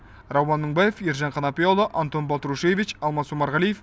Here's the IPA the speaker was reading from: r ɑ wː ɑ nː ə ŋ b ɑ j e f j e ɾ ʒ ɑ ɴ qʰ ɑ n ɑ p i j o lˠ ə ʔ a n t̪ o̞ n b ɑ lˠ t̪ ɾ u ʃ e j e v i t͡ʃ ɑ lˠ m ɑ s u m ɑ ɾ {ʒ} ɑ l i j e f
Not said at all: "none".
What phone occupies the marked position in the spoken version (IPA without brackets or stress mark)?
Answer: ʁ